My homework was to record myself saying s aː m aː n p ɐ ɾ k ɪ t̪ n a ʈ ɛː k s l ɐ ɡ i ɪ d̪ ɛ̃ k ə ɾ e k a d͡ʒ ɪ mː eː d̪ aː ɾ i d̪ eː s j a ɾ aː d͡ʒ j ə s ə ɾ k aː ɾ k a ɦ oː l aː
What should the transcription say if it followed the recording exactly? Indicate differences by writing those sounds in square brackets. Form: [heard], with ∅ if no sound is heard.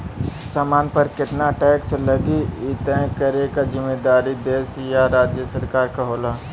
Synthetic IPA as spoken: s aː m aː n p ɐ ɾ k ɪ t̪ n a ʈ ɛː k s l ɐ ɡ i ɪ [t̪] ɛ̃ k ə ɾ e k a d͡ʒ ɪ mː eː d̪ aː ɾ i d̪ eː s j a ɾ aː d͡ʒ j ə s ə ɾ k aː ɾ k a ɦ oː l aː